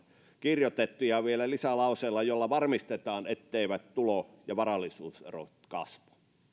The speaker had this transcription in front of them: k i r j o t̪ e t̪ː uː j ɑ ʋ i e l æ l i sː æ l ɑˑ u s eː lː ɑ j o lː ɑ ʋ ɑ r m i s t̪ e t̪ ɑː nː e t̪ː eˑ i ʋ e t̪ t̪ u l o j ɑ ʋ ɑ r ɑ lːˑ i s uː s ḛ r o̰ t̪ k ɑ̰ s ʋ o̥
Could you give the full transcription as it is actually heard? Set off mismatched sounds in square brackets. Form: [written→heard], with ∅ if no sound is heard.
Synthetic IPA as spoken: k i r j o t̪ e t̪ː [uː→u] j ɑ ʋ i e l æ l i [sː→s] æ l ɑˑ u s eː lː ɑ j o lː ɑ ʋ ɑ r m i s t̪ e t̪ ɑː [nː→n] e t̪ː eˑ i ʋ [e→æ] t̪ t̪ u l o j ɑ ʋ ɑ r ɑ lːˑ i s uː s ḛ r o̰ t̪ k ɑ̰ s ʋ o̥